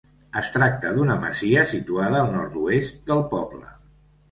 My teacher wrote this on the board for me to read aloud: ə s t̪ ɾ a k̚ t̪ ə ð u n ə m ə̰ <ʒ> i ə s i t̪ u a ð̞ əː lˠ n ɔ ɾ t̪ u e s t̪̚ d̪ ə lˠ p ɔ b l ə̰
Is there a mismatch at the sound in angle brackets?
yes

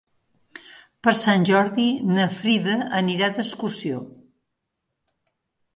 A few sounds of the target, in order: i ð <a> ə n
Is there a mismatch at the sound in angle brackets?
yes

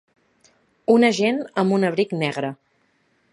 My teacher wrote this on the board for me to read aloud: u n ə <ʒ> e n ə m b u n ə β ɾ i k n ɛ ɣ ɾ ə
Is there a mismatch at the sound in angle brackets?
no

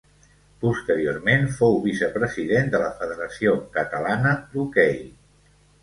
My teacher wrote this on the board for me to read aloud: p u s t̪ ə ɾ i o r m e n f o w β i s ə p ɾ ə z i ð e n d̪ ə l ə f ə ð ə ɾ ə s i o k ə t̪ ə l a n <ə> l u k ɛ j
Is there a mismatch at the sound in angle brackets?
no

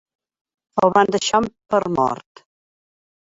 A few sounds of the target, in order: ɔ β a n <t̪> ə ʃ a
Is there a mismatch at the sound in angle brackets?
yes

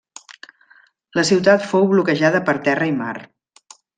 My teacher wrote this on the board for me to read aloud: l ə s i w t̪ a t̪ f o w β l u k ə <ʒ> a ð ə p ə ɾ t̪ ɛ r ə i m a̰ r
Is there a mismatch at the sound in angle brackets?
no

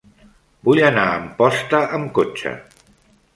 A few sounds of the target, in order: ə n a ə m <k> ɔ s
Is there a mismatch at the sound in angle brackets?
yes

